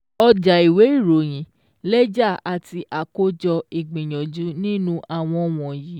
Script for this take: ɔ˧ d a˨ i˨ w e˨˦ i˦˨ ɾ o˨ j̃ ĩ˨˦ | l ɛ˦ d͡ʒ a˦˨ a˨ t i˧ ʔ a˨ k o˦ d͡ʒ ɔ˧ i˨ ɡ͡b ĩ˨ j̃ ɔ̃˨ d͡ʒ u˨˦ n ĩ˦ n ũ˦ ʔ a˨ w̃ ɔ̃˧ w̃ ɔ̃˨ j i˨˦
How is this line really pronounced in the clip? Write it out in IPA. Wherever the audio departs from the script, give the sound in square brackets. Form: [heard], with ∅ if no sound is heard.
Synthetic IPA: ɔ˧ [d͡ʒ] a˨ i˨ w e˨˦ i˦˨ ɾ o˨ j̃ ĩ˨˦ | l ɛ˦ d͡ʒ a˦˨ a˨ t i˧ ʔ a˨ k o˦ d͡ʒ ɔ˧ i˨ ɡ͡b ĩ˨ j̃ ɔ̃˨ d͡ʒ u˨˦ n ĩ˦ n ũ˦ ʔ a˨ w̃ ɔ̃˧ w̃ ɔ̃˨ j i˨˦